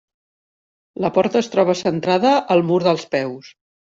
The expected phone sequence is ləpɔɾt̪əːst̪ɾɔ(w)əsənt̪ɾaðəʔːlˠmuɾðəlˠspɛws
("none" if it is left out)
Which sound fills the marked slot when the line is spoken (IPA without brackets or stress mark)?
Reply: β